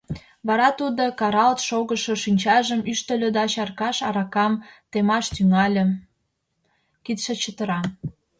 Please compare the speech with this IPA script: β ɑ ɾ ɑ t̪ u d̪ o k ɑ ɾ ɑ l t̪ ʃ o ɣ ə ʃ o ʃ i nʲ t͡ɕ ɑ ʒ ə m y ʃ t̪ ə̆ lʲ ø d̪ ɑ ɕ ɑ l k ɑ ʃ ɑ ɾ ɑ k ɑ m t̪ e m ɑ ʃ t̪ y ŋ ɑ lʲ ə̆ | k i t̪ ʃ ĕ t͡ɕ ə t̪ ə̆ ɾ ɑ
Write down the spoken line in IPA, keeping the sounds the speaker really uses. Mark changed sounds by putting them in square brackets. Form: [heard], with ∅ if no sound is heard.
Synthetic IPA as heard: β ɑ ɾ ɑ t̪ u d̪ o k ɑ ɾ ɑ l t̪ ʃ o ɣ ə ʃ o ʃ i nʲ t͡ɕ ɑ ʒ ə m y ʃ t̪ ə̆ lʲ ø d̪ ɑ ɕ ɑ [r] k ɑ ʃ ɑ ɾ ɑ k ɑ m t̪ e m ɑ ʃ t̪ y ŋ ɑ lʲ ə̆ | k i t̪ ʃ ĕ t͡ɕ ə t̪ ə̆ ɾ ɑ